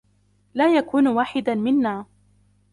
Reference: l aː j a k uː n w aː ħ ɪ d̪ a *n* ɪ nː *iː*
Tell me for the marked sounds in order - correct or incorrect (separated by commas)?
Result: incorrect, incorrect